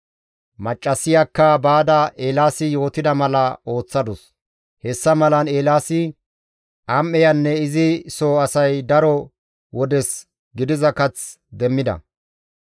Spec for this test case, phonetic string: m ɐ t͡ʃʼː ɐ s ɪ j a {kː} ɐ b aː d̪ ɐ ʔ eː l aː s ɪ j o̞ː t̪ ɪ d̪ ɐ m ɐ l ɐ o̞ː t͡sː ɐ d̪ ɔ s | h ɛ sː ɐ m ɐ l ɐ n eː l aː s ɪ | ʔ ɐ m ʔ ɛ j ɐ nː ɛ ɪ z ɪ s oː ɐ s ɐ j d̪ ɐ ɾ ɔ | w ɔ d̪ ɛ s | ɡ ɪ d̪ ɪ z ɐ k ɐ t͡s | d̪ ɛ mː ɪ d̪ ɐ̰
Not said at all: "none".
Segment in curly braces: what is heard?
kː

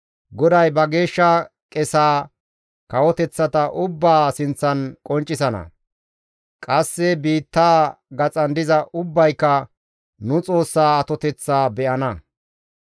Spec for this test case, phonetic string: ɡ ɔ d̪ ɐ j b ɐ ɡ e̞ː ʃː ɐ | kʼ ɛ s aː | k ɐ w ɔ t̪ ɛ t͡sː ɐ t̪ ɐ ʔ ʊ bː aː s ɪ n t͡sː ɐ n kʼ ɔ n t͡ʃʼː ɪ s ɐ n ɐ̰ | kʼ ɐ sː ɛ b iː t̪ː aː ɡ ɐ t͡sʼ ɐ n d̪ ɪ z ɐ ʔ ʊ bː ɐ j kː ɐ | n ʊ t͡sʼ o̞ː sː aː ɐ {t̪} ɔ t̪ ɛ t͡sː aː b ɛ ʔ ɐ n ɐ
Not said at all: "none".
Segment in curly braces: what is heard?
t̪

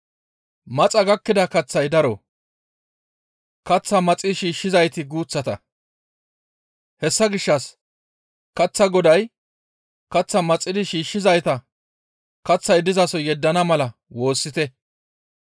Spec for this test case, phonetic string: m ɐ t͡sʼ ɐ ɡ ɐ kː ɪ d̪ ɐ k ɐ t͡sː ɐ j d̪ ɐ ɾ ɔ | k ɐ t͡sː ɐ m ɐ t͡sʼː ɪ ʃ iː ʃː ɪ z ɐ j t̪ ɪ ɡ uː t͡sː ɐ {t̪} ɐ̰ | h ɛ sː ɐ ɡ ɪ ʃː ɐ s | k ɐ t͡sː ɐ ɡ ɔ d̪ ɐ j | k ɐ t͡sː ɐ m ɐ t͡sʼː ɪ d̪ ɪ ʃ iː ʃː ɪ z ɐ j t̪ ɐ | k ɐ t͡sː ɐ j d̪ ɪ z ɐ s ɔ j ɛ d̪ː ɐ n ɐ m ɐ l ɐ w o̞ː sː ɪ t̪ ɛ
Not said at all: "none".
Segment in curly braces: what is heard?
t̪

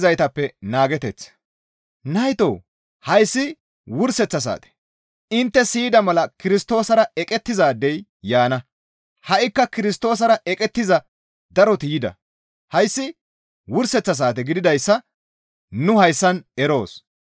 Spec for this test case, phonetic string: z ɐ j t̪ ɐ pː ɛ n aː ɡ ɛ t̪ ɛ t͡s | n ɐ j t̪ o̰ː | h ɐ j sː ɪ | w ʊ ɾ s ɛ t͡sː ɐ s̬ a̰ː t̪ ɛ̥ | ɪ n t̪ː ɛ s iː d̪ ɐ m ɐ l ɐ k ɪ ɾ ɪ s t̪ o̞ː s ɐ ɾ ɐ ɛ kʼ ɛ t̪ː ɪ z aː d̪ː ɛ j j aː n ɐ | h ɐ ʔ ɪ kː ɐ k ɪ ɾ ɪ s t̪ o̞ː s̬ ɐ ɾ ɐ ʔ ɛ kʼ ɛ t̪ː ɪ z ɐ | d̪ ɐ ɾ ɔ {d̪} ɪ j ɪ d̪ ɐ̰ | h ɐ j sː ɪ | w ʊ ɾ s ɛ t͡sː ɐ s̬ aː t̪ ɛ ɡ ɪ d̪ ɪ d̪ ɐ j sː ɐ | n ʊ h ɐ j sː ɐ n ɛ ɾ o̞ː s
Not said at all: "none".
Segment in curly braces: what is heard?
t̪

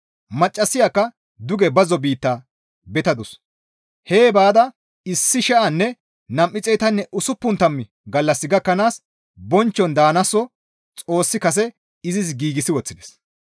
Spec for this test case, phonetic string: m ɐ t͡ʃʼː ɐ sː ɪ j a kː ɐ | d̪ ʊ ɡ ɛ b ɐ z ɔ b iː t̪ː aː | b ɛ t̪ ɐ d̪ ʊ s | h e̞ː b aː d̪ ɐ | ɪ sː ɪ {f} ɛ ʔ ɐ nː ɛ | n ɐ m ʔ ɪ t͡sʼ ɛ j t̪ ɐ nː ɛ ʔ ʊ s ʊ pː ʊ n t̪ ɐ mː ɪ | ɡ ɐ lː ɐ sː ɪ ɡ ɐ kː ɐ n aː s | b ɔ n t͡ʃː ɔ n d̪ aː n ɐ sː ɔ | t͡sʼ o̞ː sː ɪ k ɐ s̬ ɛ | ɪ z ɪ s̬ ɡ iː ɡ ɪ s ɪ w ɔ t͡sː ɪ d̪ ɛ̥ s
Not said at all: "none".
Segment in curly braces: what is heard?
ʃ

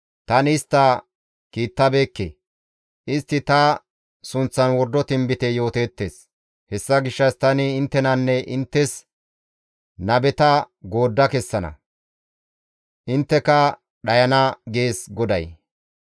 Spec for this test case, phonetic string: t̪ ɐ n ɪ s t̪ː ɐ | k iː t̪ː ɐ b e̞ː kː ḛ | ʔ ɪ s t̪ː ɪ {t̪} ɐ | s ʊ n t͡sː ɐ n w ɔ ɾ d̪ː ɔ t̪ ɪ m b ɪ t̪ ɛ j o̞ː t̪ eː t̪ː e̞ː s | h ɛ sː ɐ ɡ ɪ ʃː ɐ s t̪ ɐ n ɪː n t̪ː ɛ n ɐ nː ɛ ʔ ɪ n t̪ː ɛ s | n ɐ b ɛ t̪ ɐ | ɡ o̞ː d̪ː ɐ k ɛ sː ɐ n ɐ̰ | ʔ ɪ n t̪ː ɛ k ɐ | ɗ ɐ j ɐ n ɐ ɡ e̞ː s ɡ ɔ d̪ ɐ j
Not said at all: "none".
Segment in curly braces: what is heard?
t̪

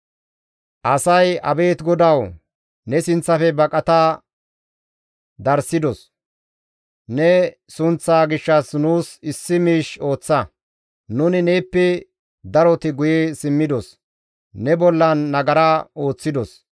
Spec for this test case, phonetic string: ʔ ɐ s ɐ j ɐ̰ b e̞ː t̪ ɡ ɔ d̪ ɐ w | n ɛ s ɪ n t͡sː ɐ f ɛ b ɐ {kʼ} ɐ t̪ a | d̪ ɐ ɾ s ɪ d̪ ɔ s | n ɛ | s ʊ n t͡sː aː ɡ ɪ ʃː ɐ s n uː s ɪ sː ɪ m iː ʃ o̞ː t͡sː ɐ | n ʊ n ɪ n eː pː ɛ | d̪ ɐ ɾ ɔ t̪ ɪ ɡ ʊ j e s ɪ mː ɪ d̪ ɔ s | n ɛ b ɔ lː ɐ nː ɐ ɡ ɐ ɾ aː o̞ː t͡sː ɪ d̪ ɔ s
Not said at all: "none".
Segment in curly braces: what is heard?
kʼ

